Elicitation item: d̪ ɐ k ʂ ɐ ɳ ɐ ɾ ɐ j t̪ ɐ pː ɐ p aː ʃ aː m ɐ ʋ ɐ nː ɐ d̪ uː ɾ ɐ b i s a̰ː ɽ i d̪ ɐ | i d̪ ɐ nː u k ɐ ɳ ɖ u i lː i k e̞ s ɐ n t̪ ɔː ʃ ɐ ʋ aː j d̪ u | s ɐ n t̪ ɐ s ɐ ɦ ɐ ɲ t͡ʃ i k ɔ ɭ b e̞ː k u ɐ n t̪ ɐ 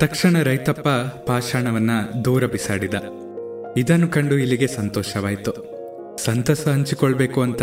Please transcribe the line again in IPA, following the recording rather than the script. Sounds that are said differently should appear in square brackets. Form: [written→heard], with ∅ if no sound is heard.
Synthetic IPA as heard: [d̪→t̪] ɐ k ʂ ɐ ɳ ɐ ɾ ɐ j t̪ ɐ pː ɐ p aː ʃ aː [m→ɳ] ɐ ʋ ɐ nː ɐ d̪ uː ɾ ɐ b i s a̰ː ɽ i d̪ ɐ | i d̪ ɐ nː u k ɐ ɳ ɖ u i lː i [k→ɡ] e̞ s ɐ n t̪ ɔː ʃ ɐ ʋ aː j [d̪→t̪] u | s ɐ n t̪ ɐ s ɐ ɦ ɐ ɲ t͡ʃ i k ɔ ɭ b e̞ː k u ɐ n t̪ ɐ